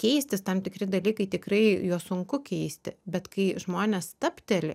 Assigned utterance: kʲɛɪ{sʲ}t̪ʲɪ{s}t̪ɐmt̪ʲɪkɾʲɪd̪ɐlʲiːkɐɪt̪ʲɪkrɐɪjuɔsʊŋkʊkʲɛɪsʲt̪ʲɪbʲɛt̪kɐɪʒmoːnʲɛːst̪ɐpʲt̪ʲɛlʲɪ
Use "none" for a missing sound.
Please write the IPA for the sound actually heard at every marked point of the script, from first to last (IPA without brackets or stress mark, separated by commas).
sʲ, s